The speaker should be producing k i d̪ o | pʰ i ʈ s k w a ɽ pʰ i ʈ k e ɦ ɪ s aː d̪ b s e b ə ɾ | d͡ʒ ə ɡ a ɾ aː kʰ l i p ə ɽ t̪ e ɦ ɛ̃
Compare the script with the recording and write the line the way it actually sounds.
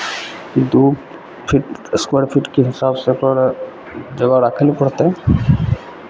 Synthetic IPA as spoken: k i d̪ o | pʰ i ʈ s k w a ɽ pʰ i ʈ k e ɦ ɪ s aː b s e p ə ɾ | d͡ʒ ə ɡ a ɾ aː kʰ l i p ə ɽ t̪ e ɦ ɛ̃